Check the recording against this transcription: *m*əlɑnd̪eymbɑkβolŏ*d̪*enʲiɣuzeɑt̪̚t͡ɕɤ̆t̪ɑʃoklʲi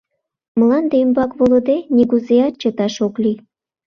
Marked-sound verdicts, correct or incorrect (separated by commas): correct, correct